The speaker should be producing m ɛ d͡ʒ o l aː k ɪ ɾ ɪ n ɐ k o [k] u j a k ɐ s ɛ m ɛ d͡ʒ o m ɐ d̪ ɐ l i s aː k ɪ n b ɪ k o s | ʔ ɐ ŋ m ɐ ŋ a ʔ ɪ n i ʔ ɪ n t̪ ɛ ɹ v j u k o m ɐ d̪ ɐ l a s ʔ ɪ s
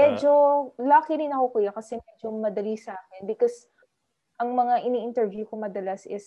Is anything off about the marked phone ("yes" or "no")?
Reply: no